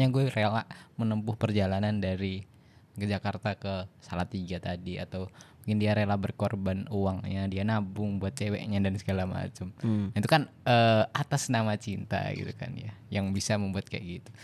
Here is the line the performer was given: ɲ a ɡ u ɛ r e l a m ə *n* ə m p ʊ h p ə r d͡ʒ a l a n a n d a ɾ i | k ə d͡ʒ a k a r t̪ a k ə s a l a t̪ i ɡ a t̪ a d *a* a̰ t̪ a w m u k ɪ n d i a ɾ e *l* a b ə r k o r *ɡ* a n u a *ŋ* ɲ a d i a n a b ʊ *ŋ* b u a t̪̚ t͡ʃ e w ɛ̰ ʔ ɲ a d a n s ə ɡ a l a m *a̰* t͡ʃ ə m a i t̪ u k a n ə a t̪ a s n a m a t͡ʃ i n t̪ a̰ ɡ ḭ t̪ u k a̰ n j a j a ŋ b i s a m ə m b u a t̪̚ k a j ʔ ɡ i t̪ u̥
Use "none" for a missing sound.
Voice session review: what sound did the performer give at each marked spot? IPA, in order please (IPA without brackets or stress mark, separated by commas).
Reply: n, i, l, b, ŋ, ŋ, a̰